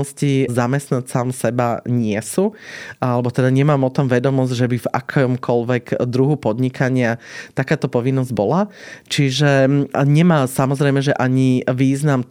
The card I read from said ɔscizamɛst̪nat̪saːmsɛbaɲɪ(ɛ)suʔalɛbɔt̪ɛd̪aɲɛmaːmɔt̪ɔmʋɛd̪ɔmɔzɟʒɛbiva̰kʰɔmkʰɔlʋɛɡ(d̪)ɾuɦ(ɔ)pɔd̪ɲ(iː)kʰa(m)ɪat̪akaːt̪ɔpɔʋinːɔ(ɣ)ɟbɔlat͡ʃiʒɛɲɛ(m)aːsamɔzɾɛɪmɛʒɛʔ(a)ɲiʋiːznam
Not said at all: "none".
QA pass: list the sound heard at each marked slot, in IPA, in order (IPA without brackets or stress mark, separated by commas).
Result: ɛ, d̪, u, i, ɲ, z, m, a